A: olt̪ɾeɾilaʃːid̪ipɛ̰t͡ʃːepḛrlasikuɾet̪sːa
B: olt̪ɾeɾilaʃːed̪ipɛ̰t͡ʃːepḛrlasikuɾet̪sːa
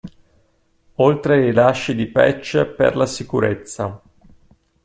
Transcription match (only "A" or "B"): A